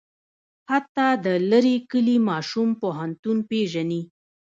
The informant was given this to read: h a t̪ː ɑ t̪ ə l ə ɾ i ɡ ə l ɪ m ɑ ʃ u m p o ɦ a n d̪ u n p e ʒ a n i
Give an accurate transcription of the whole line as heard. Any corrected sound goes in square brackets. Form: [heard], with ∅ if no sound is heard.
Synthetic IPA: h a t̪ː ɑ [d̪] ə l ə ɾ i [k] ə l [i] m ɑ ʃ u m p o ɦ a n [t̪] u n p e ʒ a n i